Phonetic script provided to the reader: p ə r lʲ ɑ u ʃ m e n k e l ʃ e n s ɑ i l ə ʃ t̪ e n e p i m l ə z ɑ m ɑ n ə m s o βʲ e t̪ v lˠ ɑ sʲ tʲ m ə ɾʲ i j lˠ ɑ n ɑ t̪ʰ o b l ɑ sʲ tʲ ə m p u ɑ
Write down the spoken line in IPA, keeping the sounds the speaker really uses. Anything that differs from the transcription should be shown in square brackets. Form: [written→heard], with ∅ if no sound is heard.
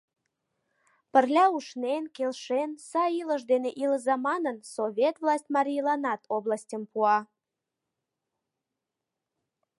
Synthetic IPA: p ə r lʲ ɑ u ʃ [m→n] e n k e l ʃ e n s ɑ i l ə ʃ [t̪→d̪] e n e [p→ʔ] i [m→∅] l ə z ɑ m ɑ n ə [m→n] s o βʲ e t̪ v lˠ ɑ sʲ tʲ m [ə→ɑ] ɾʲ i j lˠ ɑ n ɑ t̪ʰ o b l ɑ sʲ tʲ ə m p u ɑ